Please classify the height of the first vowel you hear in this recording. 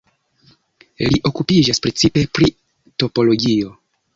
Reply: high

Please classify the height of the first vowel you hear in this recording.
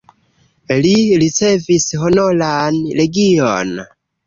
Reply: high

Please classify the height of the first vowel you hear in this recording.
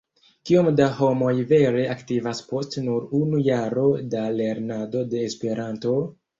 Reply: high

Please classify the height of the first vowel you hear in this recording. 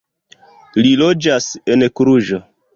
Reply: high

